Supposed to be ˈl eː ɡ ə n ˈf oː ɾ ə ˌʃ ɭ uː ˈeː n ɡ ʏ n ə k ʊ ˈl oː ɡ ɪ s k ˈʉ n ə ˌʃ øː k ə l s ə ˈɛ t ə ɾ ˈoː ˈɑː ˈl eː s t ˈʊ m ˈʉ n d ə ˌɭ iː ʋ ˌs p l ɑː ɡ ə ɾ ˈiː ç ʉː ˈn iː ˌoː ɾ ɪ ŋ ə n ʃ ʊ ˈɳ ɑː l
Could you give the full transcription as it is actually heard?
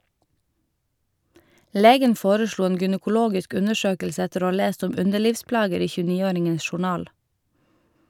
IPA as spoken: ˈl eː ɡ ə n ˈf oː ɾ ə ˌʃ ɭ uː ˈeː n ɡ ʏ n ə k ʊ ˈl oː ɡ ɪ s k ˈʉ n ə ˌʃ øː k ə l s ə ˈɛ t ə ɾ ˈoː ˈɑː ˈl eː s t ˈʊ m ˈʉ n d ə ˌɭ iː ʋ ˌs p l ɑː ɡ ə ɾ ˈiː ç ʉː ˈn iː ˌoː ɾ ɪ ŋ ə n ʃ ʊ ˈɳ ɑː l

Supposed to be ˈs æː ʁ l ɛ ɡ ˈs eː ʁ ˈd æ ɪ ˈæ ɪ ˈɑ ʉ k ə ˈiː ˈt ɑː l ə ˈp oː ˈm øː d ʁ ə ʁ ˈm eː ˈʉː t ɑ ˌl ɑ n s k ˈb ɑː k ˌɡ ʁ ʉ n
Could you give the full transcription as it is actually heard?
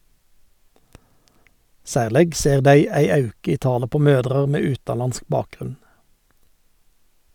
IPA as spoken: ˈs æː ʁ l ɛ ɡ ˈs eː ʁ ˈd æ ɪ ˈæ ɪ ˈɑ ʉ k ə ˈiː ˈt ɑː l ə ˈp oː ˈm øː d ʁ ə ʁ ˈm eː ˈʉː t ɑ ˌl ɑ n s k ˈb ɑː k ˌɡ ʁ ʉ n

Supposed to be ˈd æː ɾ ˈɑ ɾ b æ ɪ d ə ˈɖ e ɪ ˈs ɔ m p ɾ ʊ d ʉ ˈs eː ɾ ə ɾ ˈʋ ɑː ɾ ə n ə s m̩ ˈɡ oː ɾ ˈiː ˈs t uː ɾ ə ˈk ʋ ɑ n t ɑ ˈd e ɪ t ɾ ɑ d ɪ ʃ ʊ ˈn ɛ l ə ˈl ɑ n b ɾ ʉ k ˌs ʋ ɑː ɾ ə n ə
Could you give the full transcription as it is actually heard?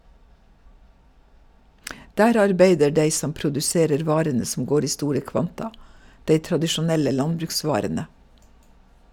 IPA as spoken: ˈd æː ɾ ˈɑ ɾ b e ɪ d ə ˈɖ e ɪ ˈs ɔ m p ɾ ʊ d ʉ ˈs eː ɾ ə ɾ ˈʋ ɑː ɾ ə n ə s m̩ ˈɡ oː ɾ ˈiː ˈs t uː ɾ ə ˈk ʋ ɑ n t ɑ ˈd e ɪ t ɾ ɑ d ɪ ʃ ʊ ˈn ɛ l ə ˈl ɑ n b ɾ ʉ k ˌs ʋ ɑː ɾ ə n ə

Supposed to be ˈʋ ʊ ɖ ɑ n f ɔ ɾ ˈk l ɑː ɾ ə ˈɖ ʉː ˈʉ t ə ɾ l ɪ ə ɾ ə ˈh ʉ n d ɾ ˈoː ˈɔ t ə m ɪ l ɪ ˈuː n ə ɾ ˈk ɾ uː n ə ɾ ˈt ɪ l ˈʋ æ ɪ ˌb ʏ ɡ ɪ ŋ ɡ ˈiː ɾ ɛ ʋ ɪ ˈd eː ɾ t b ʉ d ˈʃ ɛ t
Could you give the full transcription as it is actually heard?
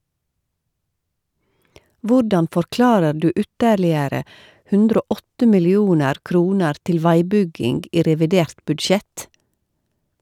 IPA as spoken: ˈʋ ʊ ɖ ɑ n f ɔ ɾ ˈk l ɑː ɾ ə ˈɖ ʉː ˈʉ t ə ɾ l ɪ ə ɾ ə ˈh ʉ n d ɾ ˈoː ˈɔ t ə m ɪ l ɪ ˈuː n ə ɾ ˈk ɾ uː n ə ɾ ˈt ɪ l ˈʋ æ ɪ ˌb ʏ ɡ ɪ ŋ ɡ ˈiː ɾ ɛ ʋ ɪ ˈd eː ɾ t b ʉ d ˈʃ ɛ t

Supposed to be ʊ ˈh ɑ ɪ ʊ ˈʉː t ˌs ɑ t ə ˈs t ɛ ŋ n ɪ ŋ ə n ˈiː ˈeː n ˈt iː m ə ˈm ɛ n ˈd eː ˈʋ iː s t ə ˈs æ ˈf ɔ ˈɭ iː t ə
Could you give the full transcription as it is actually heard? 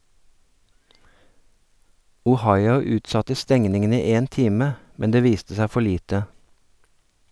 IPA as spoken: ʊ ˈh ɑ ɪ ʊ ˈʉː t ˌs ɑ t ə ˈs t ɛ ŋ n ɪ ŋ ə n ˈiː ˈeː n ˈt iː m ə ˈm ɛ n ˈd eː ˈʋ iː s t ə ˈs æ ˈf ɔ ˈɭ iː t ə

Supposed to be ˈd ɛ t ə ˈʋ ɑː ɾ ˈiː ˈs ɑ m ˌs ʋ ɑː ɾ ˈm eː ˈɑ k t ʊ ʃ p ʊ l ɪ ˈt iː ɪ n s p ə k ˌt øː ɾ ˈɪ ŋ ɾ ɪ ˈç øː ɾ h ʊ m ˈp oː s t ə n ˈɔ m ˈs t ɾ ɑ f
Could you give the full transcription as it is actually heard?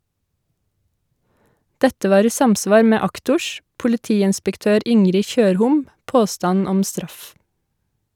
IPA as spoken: ˈd ɛ t ə ˈʋ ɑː ɾ ˈiː ˈs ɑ m ˌs ʋ ɑː ɾ ˈm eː ˈɑ k t ʊ ʃ p ʊ l ɪ ˈt iː ɪ n s p ə k ˌt øː ɾ ˈɪ ŋ ɾ ɪ ˈç øː ɾ h ʊ m ˈp oː s t ɑ n ˈɔ m ˈs t ɾ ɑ f

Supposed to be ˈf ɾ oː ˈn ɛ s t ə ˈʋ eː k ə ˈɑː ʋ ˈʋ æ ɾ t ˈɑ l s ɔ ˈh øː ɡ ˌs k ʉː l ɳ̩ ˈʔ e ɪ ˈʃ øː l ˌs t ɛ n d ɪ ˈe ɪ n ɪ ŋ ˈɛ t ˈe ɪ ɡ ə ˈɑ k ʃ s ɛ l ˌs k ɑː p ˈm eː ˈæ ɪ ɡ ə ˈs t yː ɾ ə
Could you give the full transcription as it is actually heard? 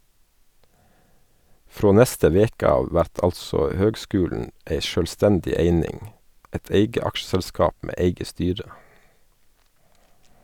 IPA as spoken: ˈf ɾ oː ˈn ɛ s t ə ˈʋ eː k ə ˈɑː ʋ ˈʋ æ ɾ t ˈɑ l s ɔ ˈh øː ɡ ˌs k ʉː l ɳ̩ ˈʔ e ɪ ˈʃ øː l ˌs t ɛ n d ɪ ˈe ɪ n ɪ ŋ ˈɛ t ˈe ɪ ɡ ə ˈɑ k ʃ s ɛ l ˌs k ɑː p ˈm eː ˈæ ɪ ɡ ə ˈs t yː ɾ ə

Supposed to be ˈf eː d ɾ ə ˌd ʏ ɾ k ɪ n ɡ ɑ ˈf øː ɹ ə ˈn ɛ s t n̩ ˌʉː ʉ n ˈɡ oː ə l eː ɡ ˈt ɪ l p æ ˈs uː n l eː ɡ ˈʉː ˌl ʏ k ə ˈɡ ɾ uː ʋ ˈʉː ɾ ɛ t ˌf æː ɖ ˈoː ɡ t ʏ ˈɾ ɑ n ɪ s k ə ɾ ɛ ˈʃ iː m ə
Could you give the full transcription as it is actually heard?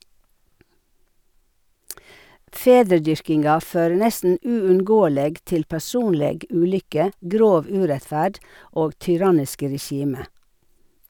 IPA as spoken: ˈf eː d ɾ ə ˌd ʏ ɾ k ɪ n ɡ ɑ ˈf øː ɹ ə ˈn ɛ s t n̩ ˌʉː ʉ n ˈɡ oː ə l eː ɡ ˈt ɪ l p æ ˈs uː n l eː ɡ ˈʉː ˌl ʏ k ə ˈɡ ɾ oː ʋ ˈʉː ɾ ɛ t ˌf æː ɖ ˈoː ɡ t ʏ ˈɾ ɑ n ɪ s k ə ɾ ɛ ˈʃ iː m ə

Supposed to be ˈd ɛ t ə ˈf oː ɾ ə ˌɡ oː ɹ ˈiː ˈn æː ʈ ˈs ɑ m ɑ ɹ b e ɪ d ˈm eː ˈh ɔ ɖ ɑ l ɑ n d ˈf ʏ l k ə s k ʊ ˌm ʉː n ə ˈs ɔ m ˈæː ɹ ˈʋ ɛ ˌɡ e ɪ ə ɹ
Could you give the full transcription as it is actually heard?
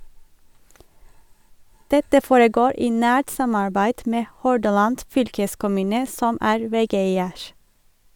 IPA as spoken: ˈd ɛ t ə ˈf oː ɹ ə ˌɡ oː ɹ ˈiː ˈn æː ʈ ˈs ɑ m ɑ ɹ b æ ɪ d ˈm eː ˈh ɔ ɖ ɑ l ɑ n d ˈf ʏ l k ə s k ʊ ˌm ʉː n ə ˈs ɔ m ˈæː ɹ ˈʋ ɛ ˌɡ e ɪ ə ɹ

